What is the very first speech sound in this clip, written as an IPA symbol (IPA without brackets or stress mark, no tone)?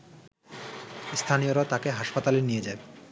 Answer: s